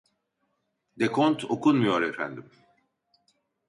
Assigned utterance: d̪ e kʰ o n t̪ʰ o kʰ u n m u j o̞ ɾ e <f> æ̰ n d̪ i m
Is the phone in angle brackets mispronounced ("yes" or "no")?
no